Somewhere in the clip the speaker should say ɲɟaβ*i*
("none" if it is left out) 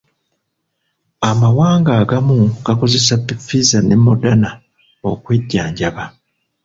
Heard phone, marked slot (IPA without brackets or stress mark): a